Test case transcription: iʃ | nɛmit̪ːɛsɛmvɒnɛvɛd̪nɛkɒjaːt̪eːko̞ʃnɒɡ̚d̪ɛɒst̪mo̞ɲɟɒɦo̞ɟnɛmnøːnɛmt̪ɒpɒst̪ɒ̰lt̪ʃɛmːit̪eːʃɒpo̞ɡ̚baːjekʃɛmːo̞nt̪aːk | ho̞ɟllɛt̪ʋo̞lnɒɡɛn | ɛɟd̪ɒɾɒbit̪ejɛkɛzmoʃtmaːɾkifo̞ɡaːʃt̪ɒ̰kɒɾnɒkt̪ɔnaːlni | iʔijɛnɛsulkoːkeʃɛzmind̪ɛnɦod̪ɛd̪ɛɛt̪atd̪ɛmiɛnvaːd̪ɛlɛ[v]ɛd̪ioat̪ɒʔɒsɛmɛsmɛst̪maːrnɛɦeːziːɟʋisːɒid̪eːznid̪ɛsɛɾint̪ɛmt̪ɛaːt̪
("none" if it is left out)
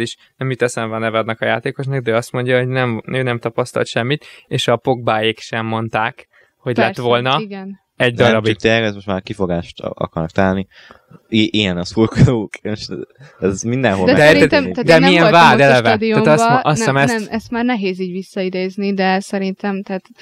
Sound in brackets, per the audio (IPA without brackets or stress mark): v